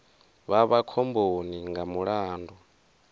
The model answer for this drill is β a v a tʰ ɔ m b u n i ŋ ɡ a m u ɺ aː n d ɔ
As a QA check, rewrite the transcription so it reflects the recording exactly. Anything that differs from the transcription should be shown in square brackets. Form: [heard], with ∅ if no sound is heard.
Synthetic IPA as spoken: β a [β] a [kʰ] ɔ m b [o] n i ŋ ɡ a m u ɺ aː n d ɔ